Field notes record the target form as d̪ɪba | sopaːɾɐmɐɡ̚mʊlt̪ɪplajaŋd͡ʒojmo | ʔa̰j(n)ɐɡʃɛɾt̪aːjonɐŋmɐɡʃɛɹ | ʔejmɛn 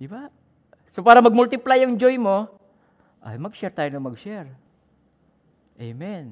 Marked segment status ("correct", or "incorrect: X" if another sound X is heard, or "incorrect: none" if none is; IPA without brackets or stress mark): incorrect: m